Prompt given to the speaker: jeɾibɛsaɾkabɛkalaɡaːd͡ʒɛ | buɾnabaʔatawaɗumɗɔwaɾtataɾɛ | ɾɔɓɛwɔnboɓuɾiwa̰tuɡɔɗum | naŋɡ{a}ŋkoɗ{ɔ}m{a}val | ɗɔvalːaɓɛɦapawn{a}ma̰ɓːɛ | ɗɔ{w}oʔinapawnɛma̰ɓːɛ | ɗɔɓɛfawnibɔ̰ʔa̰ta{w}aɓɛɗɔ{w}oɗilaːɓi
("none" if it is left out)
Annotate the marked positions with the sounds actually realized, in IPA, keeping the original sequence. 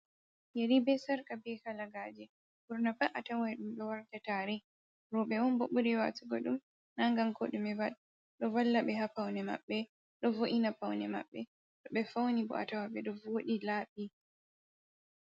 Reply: a, u, ɛ, ɛ, v, w, v

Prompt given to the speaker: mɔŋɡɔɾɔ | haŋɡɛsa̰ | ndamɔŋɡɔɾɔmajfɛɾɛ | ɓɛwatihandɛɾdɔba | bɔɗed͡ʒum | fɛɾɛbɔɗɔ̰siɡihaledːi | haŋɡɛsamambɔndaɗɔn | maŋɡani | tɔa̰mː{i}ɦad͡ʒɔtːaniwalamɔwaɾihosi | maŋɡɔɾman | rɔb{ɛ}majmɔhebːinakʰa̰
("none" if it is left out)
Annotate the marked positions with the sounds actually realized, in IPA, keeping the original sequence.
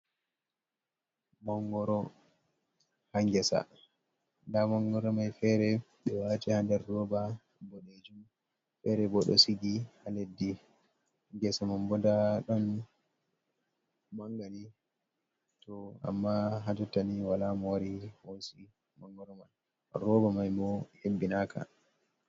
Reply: a, a

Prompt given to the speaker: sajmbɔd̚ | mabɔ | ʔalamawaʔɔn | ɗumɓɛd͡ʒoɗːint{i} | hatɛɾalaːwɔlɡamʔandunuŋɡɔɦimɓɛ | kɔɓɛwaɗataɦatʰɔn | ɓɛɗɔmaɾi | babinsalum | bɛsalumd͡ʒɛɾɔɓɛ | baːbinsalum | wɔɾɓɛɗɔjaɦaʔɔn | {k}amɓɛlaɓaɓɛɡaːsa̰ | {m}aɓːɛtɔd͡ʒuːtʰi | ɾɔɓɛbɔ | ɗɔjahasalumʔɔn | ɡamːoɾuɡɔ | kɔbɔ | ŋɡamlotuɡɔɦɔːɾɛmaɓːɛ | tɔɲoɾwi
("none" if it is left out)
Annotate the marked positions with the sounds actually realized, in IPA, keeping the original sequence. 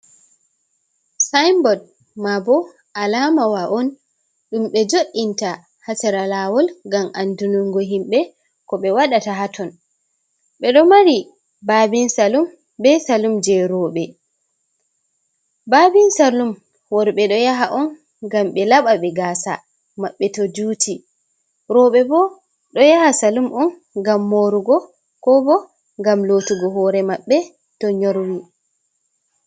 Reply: a, ɡ, m

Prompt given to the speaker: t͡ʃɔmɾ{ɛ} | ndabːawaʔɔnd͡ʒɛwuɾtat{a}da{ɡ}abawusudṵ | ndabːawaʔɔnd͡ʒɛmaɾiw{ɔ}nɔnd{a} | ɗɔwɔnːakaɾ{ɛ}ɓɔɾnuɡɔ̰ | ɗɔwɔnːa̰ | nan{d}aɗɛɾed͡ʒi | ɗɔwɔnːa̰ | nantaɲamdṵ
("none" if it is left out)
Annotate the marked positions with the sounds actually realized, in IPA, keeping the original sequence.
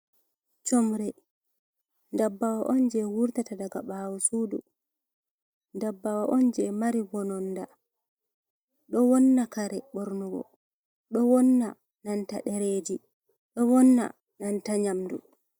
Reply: ɛ, a, ɡ, ɔ, a, ɛ, t

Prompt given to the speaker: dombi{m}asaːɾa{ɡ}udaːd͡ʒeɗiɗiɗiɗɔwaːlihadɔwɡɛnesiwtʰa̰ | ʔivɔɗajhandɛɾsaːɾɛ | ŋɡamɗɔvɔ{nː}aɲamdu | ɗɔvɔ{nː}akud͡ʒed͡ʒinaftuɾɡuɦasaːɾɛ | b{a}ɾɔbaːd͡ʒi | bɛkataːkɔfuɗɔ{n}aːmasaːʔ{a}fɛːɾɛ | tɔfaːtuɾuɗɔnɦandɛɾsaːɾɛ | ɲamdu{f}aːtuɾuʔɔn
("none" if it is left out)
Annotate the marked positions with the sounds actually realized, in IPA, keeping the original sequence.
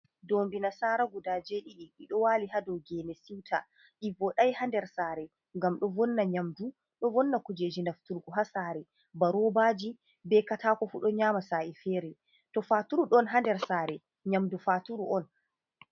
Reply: n, ɡ, nː, nː, a, ɲ, i, f

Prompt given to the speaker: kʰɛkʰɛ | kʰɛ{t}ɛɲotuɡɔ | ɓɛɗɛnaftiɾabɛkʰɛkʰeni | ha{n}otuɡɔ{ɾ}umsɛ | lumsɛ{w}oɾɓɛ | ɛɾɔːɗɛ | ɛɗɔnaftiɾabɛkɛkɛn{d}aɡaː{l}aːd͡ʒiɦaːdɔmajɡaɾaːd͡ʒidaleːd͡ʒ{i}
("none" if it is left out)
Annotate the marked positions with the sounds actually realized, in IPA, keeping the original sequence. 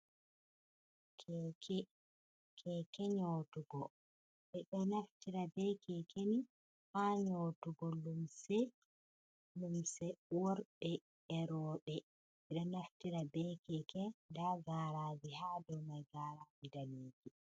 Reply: k, ɲ, l, w, d, ɾ, i

